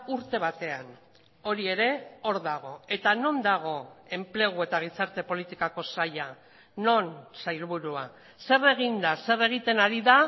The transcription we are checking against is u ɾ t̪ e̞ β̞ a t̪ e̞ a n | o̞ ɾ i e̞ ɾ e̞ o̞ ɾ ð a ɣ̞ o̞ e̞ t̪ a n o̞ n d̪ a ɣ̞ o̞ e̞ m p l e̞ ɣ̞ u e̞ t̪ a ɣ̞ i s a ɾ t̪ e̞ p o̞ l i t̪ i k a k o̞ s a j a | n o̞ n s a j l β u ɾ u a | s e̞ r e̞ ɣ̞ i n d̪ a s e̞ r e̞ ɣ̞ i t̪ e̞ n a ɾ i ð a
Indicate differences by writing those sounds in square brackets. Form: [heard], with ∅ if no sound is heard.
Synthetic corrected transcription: u ɾ t̪ e̞ β̞ a t̪ e̞ a n | o̞ ɾ i e̞ ɾ e̞ o̞ ɾ ð a ɣ̞ o̞ e̞ t̪ a n o̞ n d̪ a ɣ̞ o̞ e̞ m p l e̞ ɣ̞ u e̞ t̪ a ɣ̞ i s a ɾ t̪ e̞ p o̞ l i t̪ i k a k o̞ s a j a | n o̞ n s a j l β u ɾ u a | s e̞ r e̞ ɣ̞ i n d̪ a s e̞ r e̞ ɣ̞ i t̪ e̞ n a ɾ i ð a